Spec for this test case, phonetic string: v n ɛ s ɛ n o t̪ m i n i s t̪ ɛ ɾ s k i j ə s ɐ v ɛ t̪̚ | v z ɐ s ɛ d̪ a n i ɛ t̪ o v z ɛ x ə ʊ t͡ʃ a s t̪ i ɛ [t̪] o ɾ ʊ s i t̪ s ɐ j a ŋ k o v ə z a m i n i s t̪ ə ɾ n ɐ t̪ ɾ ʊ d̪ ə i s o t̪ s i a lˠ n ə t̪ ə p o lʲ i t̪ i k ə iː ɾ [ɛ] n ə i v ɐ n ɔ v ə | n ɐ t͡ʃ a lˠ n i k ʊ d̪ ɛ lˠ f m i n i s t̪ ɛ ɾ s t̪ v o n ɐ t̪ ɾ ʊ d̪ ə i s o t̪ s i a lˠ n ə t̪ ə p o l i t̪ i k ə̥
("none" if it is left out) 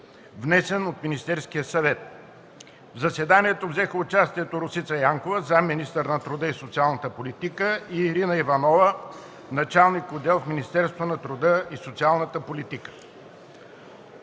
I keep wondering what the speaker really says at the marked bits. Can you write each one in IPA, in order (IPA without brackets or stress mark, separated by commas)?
t̪, i